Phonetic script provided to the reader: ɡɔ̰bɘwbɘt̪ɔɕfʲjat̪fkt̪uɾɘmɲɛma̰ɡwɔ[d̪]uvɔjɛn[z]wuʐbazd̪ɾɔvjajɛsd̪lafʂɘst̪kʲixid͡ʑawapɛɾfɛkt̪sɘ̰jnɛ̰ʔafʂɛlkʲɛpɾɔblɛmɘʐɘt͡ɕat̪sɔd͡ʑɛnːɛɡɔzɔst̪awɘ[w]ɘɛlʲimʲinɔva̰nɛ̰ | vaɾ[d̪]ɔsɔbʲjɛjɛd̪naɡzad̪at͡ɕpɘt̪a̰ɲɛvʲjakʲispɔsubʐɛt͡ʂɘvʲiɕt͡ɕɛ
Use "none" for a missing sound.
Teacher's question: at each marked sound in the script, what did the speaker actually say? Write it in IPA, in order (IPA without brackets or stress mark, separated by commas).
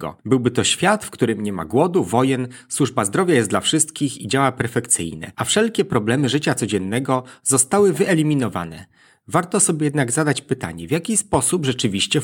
d̪, s, v, t̪